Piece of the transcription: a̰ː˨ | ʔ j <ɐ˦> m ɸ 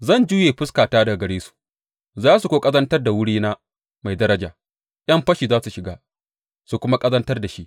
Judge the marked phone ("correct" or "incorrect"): correct